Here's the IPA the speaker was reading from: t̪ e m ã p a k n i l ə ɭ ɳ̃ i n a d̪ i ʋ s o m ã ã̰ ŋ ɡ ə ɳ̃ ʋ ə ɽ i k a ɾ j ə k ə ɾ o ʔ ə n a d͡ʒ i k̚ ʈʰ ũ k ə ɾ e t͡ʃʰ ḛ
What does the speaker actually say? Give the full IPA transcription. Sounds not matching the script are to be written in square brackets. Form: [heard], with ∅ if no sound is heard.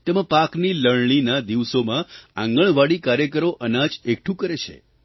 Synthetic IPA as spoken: t̪ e m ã p a k n i l ə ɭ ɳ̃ i n a d̪ i ʋ s o m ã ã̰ ŋ ɡ ə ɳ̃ ʋ [a] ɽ i k a ɾ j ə k ə ɾ o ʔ ə n a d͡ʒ [e] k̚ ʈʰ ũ k ə ɾ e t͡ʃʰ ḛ